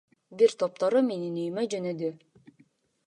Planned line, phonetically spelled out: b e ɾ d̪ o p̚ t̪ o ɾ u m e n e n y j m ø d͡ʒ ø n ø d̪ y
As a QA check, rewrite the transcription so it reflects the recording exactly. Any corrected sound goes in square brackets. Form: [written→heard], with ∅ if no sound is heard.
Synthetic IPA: b [e→i] ɾ [d̪→t̪] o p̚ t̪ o ɾ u m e n [e→i] n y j m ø d͡ʒ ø n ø d̪ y